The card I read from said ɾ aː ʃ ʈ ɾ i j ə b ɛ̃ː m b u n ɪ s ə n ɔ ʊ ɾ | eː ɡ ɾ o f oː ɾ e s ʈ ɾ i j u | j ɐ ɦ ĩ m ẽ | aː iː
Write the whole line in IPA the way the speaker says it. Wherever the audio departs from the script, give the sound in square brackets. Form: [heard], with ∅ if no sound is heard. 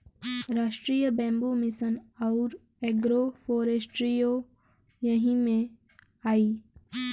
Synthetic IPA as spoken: ɾ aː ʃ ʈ ɾ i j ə b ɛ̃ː m b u [m] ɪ s ə n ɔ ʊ ɾ | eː ɡ ɾ o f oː ɾ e s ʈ ɾ i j [o] | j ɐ ɦ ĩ m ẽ | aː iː